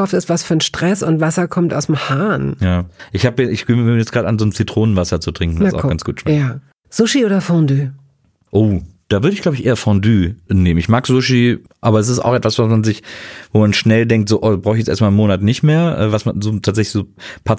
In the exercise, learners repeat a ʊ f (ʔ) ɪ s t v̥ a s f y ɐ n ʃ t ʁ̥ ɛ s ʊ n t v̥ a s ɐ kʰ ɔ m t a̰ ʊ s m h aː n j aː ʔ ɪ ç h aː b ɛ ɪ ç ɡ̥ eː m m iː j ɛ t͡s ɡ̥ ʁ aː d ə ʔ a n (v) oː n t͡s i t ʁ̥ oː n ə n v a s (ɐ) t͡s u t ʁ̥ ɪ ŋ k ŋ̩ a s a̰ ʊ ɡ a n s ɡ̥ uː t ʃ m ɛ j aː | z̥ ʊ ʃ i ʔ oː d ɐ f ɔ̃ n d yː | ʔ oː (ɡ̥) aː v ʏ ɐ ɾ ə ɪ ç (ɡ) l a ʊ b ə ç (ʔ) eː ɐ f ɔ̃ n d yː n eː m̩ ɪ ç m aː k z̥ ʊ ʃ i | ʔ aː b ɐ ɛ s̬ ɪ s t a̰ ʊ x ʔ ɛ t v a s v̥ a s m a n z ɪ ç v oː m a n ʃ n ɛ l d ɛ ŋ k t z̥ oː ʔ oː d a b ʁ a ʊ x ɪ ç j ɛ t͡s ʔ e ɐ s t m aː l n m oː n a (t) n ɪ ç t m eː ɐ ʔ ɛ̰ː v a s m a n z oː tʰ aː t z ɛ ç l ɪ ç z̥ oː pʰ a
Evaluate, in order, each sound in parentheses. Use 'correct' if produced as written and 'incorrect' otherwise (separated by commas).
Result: incorrect, incorrect, correct, incorrect, correct, correct, correct